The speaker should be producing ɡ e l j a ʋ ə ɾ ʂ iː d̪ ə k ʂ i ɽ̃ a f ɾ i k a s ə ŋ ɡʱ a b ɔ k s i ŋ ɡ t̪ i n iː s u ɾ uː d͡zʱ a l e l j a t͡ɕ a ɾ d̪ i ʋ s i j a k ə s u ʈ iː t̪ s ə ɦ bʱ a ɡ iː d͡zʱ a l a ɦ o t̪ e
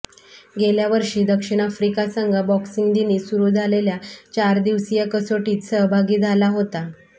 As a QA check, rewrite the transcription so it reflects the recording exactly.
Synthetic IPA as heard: ɡ e l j a ʋ ə ɾ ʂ iː d̪ ə k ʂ i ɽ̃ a f ɾ i k a s ə ŋ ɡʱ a b ɔ k s i ŋ ɡ d̪ i n iː s u ɾ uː d͡zʱ a l e l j a t͡ɕ a ɾ d̪ i ʋ s i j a k ə s o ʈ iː t̪ s ə ɦ bʱ a ɡ iː d͡zʱ a l a ɦ o t̪ a